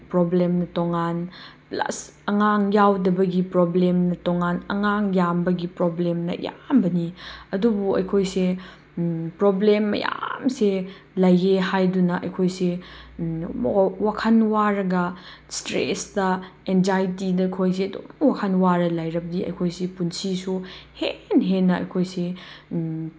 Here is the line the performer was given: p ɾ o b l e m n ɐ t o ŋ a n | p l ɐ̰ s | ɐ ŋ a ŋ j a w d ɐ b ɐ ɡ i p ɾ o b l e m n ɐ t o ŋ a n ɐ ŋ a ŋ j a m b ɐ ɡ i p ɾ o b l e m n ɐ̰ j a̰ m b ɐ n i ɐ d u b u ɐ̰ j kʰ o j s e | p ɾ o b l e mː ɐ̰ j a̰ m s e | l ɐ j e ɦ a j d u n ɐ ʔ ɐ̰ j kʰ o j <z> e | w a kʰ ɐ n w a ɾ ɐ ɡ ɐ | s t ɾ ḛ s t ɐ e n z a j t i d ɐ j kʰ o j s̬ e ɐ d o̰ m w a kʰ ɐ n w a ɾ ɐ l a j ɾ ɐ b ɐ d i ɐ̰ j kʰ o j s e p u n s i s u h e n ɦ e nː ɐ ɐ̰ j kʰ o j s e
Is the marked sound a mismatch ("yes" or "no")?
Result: yes